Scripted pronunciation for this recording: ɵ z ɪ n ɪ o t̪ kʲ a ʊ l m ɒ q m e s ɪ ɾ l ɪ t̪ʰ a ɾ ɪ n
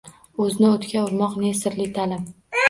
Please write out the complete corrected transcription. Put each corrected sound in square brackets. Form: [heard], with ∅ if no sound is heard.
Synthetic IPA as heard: ɵ z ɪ n ɪ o t̪ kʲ a ʊ [ɾ] m ɒ q [n] e s ɪ ɾ l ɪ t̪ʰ a [l] ɪ [m]